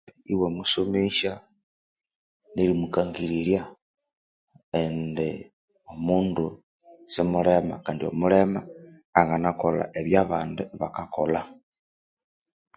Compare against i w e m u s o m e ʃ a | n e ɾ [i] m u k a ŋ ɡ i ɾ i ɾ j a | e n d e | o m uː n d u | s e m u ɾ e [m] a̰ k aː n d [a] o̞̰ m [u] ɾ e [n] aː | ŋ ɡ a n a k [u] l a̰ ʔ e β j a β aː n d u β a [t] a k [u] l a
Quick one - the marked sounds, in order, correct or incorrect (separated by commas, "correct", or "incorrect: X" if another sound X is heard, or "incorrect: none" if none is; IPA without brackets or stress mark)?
correct, correct, incorrect: i, correct, incorrect: m, incorrect: o, incorrect: k, incorrect: o